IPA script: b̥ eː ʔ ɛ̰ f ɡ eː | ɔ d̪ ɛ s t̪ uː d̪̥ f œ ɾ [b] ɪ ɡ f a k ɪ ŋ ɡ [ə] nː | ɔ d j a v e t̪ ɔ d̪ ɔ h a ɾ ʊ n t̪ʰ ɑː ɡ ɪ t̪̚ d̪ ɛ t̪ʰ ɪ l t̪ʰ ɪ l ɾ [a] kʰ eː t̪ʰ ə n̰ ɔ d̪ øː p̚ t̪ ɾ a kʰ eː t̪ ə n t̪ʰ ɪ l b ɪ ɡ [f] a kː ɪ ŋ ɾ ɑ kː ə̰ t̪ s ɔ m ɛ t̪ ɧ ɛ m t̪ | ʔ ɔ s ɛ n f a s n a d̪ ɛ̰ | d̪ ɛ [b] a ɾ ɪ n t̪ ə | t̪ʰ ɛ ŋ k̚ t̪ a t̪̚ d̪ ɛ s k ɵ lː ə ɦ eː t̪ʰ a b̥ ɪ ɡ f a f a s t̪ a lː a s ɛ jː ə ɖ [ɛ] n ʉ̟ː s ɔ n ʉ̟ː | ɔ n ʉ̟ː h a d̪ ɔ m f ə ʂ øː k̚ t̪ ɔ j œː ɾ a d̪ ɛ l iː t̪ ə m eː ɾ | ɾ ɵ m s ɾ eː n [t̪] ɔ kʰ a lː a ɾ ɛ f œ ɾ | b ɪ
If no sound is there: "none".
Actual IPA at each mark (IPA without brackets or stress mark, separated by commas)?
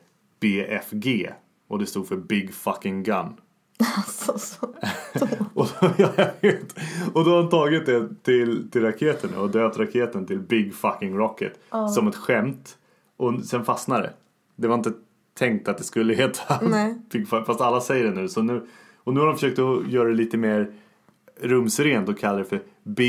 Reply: b, a, a, f, v, ɛ, t̪